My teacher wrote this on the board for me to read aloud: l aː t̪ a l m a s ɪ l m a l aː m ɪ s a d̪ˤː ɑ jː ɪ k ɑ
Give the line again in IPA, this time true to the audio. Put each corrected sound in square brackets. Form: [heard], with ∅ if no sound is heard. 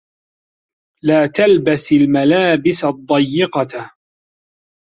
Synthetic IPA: l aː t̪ a l [b] a s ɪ l m a l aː [b] ɪ s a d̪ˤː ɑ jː ɪ [q] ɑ